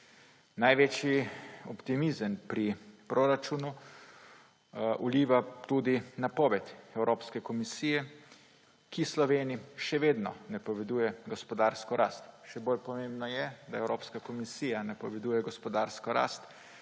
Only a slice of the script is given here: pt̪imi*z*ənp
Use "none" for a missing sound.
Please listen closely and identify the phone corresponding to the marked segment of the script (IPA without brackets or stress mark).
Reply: z